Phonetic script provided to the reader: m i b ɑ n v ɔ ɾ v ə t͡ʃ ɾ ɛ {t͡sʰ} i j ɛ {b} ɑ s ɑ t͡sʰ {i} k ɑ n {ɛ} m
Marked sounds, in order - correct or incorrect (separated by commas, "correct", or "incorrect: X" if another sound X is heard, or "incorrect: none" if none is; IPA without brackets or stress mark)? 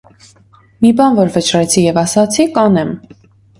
correct, incorrect: v, correct, correct